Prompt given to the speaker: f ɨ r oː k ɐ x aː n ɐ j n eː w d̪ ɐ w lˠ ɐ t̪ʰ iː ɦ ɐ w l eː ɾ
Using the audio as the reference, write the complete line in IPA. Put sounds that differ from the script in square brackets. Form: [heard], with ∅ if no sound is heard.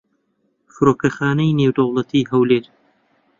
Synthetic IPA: f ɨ [ɾ] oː k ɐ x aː n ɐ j n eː w d̪ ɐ w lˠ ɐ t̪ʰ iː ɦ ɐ w l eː ɾ

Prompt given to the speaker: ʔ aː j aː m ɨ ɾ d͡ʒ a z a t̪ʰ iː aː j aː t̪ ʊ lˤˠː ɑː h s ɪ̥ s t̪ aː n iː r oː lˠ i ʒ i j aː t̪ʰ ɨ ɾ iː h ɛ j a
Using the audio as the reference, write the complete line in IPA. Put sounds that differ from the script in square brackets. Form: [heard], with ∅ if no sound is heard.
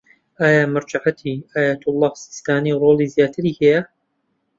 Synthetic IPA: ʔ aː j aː m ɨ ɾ d͡ʒ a [ʕ] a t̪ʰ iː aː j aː t̪ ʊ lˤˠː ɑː h s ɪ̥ s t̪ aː n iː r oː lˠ i [z] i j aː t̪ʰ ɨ ɾ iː h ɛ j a

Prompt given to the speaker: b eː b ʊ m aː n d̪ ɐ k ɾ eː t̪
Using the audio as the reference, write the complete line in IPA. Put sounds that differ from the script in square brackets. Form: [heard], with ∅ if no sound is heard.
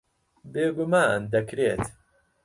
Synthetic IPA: b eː [ɡ] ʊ m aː n d̪ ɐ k ɾ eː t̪

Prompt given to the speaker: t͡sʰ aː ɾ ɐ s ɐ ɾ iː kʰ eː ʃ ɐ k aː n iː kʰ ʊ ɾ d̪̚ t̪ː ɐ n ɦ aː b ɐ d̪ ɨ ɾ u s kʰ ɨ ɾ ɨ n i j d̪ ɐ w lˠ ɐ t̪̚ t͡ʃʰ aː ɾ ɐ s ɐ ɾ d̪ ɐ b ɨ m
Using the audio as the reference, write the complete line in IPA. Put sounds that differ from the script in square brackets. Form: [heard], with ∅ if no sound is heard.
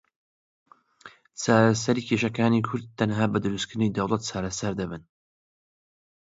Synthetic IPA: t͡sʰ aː ɾ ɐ s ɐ ɾ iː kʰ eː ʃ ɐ k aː n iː kʰ ʊ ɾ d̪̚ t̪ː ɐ n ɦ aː b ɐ d̪ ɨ ɾ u s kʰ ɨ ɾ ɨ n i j d̪ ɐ w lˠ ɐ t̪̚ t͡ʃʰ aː ɾ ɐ s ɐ ɾ d̪ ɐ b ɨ [n]

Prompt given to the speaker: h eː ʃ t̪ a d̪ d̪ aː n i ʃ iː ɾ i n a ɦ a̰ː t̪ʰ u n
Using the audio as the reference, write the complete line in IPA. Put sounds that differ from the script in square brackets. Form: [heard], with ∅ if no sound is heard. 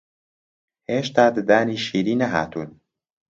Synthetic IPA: h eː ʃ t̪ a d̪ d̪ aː n i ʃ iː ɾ i n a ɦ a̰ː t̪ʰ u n

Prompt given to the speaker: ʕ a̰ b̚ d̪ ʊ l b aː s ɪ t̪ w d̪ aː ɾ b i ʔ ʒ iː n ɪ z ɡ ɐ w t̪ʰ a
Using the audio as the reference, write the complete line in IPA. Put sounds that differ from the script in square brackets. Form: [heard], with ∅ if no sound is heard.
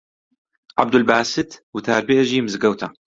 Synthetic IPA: ʕ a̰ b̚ d̪ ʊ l b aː s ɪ t̪ w [t̪] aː ɾ b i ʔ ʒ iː [m] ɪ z ɡ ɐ w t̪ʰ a

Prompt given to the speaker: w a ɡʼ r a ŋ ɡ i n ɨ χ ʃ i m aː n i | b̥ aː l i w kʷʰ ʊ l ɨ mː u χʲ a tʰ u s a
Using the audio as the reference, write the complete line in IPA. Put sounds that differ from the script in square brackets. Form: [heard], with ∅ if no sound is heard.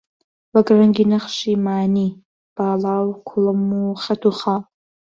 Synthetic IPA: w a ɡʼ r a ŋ ɡ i n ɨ χ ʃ i m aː n i | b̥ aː l [a] w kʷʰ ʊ l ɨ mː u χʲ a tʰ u [χ] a

